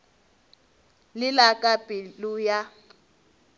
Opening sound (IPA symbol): l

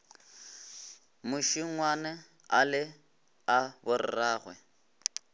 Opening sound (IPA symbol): m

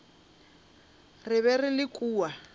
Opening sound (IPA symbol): r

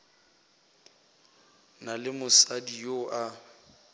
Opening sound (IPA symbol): n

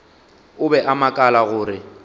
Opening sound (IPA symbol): ʊ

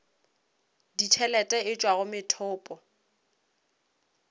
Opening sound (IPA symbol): d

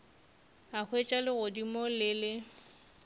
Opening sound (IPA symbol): a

